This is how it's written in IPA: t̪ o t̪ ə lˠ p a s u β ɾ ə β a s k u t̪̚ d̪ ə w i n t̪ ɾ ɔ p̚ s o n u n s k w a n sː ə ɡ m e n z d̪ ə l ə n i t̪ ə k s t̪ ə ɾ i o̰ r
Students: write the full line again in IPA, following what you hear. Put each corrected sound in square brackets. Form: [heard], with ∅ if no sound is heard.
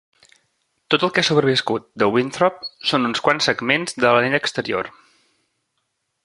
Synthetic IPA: t̪ o t̪ ə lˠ [k] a s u β ɾ ə β [i] s k u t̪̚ d̪ ə w i n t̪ ɾ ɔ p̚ s o n u n s k w a n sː ə ɡ m e n z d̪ ə l ə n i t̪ ə k s t̪ ə ɾ i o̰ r